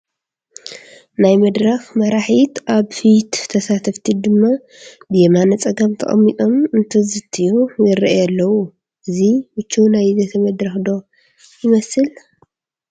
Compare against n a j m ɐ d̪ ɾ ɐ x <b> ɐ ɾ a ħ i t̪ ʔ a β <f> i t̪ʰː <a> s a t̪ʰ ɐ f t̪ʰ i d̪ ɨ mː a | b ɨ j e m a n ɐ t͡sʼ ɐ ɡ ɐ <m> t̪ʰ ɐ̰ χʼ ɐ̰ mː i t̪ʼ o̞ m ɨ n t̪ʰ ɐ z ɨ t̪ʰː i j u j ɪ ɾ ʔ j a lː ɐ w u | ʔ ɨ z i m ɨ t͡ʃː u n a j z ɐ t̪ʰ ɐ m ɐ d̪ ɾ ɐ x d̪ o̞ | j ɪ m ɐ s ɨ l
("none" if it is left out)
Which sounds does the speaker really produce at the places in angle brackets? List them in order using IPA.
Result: m, f, ɐ, m

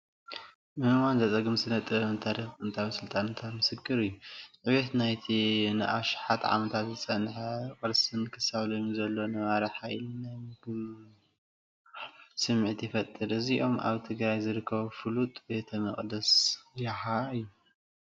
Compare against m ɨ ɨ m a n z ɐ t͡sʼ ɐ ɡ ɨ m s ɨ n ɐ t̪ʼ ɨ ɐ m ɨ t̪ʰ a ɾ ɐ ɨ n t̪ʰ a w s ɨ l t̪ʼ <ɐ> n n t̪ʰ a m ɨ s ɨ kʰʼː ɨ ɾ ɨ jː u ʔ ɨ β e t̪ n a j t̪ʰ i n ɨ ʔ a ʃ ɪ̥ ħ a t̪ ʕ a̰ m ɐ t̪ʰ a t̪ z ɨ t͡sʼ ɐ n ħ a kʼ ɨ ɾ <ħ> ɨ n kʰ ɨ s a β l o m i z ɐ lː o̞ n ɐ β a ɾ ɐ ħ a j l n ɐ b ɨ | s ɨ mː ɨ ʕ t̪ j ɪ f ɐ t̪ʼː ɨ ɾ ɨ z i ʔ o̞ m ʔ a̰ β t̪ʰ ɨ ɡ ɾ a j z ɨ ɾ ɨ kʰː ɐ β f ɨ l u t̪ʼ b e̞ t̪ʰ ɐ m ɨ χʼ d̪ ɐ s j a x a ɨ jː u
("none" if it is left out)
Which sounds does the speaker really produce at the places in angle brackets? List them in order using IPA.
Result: a, s

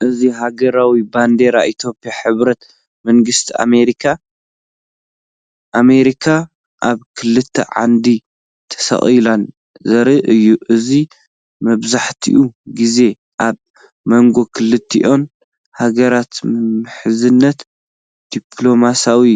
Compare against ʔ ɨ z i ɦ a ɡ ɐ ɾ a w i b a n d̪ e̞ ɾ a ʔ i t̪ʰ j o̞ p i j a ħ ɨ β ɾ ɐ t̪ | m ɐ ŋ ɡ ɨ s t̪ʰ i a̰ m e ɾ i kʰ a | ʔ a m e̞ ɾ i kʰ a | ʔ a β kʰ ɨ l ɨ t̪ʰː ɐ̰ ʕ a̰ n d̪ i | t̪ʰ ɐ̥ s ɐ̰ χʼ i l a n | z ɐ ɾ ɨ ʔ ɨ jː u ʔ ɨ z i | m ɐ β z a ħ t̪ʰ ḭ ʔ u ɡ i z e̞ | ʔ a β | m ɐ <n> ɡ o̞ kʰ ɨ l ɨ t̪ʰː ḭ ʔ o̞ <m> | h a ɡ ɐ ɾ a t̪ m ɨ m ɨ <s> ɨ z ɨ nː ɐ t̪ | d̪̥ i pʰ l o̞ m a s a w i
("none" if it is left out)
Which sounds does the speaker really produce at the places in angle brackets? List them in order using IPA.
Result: ŋ, n, ħ

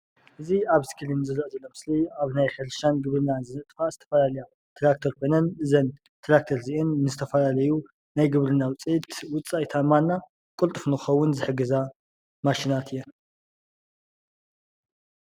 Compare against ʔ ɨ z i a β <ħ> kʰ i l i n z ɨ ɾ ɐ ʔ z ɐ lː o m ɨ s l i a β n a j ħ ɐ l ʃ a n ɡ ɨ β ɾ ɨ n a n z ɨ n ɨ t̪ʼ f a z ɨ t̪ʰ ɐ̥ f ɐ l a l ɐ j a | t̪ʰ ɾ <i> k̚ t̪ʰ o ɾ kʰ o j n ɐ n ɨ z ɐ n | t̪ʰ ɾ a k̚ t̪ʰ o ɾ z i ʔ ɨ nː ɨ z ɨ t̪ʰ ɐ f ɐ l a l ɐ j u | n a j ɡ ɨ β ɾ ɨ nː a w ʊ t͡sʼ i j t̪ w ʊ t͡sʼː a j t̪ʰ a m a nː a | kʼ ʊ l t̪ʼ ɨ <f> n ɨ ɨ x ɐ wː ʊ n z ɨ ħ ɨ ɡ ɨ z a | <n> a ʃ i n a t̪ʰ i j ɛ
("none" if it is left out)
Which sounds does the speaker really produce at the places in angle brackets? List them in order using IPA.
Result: s, a, f, m

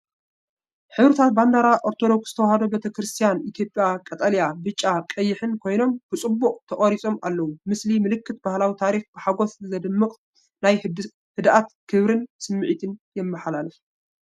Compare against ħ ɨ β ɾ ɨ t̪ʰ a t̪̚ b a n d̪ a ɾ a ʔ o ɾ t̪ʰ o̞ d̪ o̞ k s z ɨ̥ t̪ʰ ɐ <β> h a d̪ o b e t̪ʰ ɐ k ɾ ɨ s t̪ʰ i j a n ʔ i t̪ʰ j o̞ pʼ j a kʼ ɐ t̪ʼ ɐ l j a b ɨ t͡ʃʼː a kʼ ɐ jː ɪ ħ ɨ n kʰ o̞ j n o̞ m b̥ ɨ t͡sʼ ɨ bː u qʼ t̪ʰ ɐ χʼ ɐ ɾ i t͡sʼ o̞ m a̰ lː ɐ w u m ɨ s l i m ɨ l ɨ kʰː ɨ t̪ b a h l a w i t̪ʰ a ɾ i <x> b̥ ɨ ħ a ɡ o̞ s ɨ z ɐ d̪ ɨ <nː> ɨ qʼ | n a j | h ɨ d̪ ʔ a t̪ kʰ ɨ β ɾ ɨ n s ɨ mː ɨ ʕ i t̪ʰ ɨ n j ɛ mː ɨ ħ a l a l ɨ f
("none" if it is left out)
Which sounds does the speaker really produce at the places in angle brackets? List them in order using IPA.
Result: w, x, mː

